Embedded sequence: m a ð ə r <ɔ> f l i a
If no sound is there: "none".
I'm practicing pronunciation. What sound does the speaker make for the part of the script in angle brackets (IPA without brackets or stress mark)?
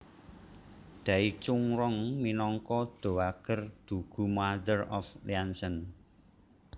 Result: ɔ